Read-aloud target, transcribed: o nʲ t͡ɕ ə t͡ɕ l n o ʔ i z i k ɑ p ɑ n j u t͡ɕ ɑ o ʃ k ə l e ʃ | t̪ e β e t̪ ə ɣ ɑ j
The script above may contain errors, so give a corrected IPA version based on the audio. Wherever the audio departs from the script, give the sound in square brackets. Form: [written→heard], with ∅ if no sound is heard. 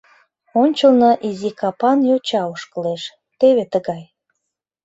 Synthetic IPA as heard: o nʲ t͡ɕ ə [t͡ɕ→∅] l n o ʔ i z i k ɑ p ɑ n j [u→o] t͡ɕ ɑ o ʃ k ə l e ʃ | t̪ e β e t̪ ə ɣ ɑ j